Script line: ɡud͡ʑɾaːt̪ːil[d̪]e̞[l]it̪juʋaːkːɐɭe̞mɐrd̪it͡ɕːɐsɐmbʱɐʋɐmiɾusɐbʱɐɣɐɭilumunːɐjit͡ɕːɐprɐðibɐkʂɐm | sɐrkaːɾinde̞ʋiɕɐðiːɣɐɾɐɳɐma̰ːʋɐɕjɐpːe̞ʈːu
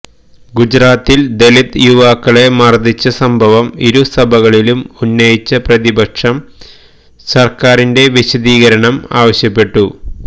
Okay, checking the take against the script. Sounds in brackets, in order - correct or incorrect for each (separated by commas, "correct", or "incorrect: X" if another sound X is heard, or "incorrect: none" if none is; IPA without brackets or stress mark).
correct, correct